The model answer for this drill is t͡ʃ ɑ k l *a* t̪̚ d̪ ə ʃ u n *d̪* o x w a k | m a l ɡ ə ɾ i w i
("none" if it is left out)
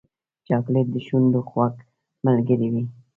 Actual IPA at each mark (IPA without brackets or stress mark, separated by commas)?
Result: e, d̪